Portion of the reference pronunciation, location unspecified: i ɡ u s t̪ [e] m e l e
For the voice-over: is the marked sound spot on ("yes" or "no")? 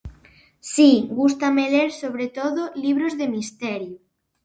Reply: no